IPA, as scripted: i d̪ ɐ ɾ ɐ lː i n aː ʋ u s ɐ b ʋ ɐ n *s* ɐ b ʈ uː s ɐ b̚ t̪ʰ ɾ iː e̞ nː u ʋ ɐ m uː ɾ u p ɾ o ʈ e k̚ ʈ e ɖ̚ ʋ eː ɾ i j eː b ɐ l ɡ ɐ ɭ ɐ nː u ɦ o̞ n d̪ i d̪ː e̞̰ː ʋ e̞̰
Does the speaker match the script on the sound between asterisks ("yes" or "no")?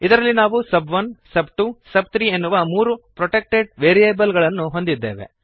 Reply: yes